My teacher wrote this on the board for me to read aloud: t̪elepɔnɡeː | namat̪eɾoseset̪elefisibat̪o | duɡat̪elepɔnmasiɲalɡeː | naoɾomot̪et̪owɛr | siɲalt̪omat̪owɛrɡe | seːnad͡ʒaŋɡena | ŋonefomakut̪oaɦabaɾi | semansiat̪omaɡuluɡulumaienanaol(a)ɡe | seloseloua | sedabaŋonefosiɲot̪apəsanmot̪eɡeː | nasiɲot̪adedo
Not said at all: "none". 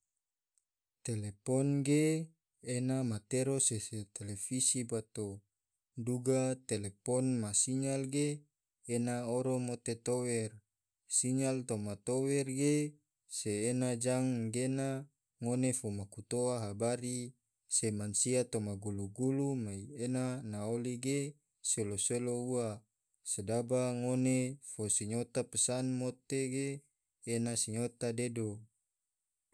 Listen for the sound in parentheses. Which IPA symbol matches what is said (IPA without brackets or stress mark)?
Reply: i